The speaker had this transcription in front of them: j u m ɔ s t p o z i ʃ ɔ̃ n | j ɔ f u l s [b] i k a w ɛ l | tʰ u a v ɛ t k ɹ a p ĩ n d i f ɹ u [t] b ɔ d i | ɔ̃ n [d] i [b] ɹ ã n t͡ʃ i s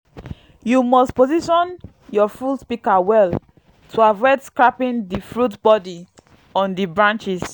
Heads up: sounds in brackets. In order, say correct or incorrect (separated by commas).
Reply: incorrect, correct, correct, correct